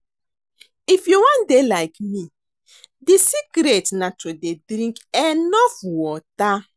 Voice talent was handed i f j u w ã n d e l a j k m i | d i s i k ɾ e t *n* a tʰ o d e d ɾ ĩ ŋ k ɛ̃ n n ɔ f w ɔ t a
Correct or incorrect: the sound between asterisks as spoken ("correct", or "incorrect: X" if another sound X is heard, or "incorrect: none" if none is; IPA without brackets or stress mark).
correct